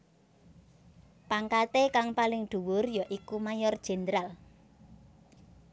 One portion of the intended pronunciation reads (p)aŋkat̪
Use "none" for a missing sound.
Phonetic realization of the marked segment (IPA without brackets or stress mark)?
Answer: p